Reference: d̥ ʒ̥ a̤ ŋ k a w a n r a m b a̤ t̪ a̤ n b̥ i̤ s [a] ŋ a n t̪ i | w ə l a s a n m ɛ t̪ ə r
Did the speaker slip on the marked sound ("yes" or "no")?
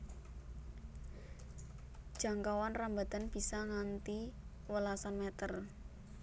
no